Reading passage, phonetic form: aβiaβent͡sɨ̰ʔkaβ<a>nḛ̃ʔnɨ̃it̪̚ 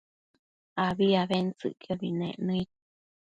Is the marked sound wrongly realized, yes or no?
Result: yes